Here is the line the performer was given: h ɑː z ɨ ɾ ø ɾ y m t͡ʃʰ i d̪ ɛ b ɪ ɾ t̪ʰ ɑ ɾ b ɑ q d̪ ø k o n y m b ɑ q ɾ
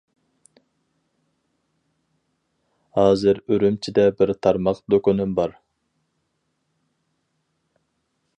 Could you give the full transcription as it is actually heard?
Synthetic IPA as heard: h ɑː z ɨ ɾ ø ɾ y m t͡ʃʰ i d̪ ɛ b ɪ ɾ t̪ʰ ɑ ɾ m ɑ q d̪ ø k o n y m b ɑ ɾ